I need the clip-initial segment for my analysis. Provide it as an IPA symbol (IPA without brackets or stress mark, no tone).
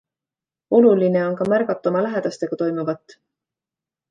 o̞